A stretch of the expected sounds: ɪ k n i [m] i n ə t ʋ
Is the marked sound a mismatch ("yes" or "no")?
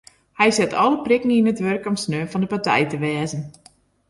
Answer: yes